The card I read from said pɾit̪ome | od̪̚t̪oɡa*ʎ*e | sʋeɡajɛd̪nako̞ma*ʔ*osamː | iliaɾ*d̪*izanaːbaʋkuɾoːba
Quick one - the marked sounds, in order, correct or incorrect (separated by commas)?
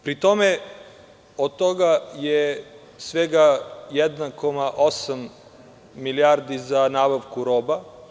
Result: incorrect, correct, correct